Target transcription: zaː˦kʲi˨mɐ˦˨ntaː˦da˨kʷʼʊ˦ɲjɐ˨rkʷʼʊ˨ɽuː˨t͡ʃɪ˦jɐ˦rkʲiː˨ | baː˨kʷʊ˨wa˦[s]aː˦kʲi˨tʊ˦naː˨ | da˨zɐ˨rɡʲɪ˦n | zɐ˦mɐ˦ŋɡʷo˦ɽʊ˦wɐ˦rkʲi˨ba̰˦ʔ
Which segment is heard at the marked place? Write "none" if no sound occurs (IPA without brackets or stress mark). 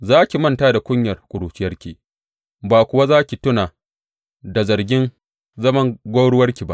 z